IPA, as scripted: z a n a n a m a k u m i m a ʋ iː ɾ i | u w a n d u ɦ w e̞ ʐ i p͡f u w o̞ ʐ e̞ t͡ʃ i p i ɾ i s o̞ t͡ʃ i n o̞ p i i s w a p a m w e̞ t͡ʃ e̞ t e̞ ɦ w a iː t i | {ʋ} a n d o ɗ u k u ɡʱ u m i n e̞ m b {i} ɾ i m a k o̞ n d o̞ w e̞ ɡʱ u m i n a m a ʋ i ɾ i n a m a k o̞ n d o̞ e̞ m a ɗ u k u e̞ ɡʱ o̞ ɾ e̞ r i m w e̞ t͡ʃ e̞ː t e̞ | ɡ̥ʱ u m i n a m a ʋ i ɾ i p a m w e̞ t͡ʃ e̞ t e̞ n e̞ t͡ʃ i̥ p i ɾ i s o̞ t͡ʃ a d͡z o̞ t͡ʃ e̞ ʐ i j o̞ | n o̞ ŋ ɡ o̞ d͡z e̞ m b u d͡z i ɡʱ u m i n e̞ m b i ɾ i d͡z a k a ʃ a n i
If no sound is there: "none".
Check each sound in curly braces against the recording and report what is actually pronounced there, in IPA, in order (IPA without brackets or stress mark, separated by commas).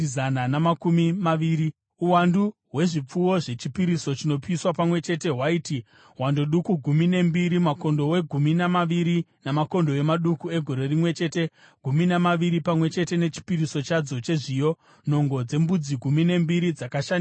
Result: w, i